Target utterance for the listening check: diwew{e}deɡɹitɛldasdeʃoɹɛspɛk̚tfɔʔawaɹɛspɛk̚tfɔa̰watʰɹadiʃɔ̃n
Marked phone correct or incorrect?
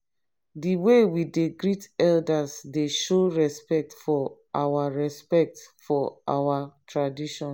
incorrect